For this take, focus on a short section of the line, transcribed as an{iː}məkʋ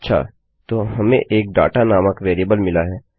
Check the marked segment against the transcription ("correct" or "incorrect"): incorrect